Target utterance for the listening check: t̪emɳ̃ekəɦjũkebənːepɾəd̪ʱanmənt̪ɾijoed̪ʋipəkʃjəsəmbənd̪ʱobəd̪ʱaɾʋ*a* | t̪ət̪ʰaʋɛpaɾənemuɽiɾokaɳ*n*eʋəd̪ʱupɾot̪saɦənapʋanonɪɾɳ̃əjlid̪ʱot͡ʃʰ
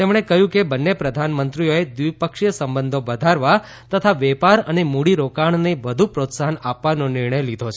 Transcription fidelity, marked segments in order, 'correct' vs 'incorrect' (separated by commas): correct, correct